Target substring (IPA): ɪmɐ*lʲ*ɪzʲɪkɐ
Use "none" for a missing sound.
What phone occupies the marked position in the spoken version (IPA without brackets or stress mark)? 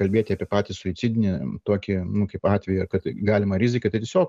ɾʲ